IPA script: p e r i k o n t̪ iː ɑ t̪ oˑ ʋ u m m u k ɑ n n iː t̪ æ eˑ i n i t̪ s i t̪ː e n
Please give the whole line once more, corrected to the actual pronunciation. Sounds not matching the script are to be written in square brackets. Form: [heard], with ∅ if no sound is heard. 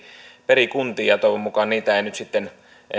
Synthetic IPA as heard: p e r i k [u] n t̪ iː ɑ t̪ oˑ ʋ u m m u k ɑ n n iː t̪ æ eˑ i n [y] t̪ s i t̪ː e n